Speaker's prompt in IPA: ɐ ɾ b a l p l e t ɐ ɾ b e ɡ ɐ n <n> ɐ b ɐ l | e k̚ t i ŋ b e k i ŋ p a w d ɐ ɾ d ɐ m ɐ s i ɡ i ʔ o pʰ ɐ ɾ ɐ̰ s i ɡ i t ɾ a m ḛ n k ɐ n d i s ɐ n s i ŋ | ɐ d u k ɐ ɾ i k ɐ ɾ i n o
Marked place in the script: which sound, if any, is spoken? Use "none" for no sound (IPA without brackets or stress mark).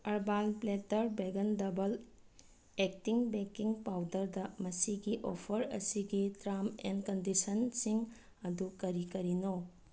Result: d